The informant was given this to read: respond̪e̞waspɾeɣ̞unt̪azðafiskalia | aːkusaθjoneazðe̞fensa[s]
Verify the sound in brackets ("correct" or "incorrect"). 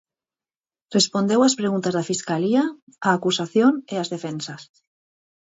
correct